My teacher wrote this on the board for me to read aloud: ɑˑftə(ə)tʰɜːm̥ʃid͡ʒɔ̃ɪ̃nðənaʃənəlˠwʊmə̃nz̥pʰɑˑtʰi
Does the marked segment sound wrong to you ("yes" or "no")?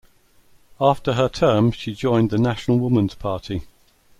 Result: no